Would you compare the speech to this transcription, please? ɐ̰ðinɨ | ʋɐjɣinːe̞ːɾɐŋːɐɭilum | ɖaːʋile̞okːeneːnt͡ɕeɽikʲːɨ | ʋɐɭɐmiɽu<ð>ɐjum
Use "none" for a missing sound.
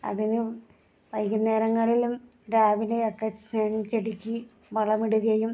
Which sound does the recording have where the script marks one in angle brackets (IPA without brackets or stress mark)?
ɣ